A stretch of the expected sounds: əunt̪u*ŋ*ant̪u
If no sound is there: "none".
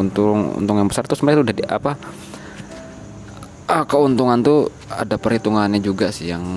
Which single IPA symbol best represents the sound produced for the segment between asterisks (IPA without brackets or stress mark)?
ŋ